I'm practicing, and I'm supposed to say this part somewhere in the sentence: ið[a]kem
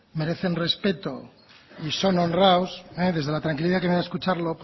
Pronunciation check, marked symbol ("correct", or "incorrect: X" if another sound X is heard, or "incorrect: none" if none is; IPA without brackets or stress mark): correct